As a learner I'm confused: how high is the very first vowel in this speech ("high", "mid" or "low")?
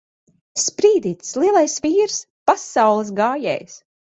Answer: high